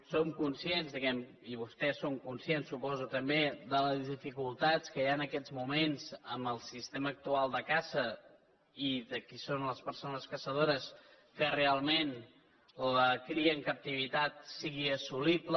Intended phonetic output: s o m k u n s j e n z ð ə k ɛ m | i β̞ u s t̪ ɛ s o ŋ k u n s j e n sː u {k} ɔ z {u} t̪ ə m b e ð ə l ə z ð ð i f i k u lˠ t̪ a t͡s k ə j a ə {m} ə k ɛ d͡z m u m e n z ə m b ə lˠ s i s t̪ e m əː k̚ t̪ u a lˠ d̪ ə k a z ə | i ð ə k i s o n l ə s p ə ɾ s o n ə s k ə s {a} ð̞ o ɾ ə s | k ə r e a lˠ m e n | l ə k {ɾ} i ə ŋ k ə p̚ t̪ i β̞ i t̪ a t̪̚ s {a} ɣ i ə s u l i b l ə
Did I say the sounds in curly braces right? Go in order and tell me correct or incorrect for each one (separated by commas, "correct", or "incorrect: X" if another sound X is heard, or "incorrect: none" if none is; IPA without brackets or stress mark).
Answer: incorrect: p, correct, incorrect: n, incorrect: ə, correct, incorrect: i